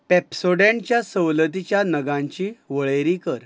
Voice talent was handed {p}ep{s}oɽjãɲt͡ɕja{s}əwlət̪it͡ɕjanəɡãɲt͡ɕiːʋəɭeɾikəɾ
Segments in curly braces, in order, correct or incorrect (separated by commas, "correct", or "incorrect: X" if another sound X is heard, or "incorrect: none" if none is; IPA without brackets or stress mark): correct, correct, correct